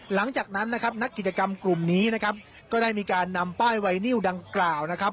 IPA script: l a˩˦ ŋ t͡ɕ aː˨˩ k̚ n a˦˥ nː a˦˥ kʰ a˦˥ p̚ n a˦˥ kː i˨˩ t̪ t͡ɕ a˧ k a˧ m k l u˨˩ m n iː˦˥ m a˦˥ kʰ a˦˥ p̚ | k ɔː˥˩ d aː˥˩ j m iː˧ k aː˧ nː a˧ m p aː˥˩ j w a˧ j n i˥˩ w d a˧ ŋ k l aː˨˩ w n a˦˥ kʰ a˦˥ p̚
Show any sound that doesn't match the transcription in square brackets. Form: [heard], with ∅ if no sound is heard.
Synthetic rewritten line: l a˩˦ ŋ t͡ɕ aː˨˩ k̚ n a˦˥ nː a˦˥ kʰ a˦˥ p̚ n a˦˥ kː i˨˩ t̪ t͡ɕ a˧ k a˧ m k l u˨˩ m n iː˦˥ [n] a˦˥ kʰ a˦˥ p̚ | k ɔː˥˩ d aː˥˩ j m iː˧ k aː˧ nː a˧ m p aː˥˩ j w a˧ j n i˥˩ w d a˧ ŋ k l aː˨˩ w n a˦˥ kʰ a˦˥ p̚

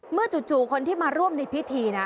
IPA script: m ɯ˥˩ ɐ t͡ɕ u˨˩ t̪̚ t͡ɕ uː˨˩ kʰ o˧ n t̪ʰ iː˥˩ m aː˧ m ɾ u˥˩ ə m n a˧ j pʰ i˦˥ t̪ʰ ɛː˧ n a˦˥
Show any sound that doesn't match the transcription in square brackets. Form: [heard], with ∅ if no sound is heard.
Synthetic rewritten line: m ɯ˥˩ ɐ t͡ɕ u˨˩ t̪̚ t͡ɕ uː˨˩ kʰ o˧ n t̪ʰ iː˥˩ m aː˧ [∅] ɾ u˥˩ ə m n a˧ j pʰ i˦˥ t̪ʰ [iː˧] n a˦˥

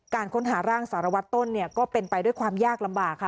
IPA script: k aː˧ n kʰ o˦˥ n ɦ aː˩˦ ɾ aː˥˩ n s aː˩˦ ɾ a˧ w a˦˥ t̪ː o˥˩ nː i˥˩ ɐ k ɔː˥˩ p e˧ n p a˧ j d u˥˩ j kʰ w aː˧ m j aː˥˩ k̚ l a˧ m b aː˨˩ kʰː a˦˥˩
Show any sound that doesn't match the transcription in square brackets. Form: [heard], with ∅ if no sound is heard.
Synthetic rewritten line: k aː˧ n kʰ o˦˥ n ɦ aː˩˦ ɾ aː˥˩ [ŋ] s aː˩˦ ɾ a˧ w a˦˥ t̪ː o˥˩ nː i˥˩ ɐ k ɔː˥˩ p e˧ n p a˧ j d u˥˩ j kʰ w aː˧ m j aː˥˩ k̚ l a˧ m b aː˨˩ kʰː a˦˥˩

